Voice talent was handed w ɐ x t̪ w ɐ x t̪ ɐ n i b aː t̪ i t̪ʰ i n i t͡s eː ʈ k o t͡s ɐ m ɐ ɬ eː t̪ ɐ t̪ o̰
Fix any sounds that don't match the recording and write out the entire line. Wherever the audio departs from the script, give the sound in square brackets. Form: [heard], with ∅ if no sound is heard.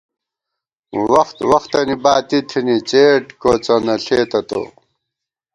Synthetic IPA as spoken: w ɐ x t̪ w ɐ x t̪ ɐ n i b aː t̪ i t̪ʰ i n i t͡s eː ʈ k o t͡s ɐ [n] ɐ ɬ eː t̪ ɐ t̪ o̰